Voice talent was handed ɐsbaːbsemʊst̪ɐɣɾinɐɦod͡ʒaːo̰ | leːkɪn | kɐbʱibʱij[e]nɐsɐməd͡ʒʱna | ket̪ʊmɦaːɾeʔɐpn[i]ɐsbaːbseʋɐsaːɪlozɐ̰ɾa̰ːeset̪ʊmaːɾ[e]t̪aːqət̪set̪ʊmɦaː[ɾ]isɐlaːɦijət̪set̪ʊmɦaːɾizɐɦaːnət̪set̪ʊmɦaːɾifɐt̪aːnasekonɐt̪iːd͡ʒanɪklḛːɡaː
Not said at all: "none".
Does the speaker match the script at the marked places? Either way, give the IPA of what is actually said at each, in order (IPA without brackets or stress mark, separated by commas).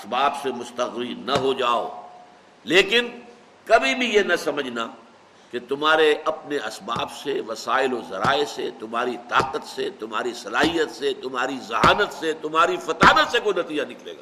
e, e, i, ɾ